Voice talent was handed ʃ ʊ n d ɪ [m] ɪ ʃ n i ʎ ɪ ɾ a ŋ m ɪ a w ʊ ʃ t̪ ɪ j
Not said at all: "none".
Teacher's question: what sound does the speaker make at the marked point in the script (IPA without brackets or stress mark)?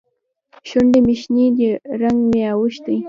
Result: m